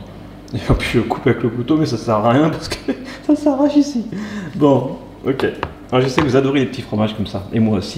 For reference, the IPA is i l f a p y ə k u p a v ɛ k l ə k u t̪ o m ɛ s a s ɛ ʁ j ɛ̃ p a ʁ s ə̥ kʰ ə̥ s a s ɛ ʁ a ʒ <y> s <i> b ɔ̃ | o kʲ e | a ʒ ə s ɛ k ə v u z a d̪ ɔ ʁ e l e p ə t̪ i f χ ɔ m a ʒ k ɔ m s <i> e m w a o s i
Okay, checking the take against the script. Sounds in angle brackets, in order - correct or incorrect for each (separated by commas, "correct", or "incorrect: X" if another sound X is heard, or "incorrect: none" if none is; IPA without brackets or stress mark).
incorrect: i, correct, incorrect: a